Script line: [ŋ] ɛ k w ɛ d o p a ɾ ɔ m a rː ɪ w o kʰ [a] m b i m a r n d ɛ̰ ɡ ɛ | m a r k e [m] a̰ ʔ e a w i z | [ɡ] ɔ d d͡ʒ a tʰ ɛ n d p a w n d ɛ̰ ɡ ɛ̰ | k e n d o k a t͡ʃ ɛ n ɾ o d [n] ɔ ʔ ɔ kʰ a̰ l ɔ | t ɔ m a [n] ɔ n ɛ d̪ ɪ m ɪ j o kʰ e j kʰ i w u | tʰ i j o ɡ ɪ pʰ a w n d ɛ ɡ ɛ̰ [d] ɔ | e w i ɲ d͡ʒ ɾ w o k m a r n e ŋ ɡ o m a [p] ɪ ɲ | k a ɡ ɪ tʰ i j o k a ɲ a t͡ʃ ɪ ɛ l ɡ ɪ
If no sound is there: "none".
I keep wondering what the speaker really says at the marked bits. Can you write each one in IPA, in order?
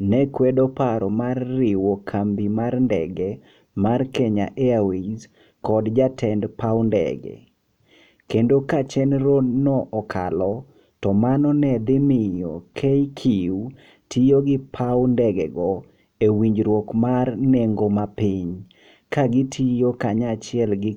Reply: n, a, ɲ, k, n, n, ɡ, p

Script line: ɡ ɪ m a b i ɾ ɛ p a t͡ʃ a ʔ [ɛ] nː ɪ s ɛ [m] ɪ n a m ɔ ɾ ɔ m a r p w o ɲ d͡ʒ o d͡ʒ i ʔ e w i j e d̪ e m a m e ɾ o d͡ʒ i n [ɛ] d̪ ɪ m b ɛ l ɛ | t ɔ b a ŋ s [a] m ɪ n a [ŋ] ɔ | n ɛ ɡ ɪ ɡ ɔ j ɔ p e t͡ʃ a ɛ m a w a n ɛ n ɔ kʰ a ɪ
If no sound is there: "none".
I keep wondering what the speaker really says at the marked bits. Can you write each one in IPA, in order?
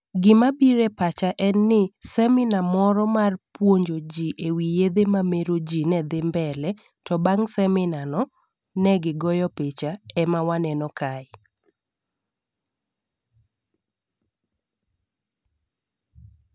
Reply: ɛ, m, ɛ, ɛ, n

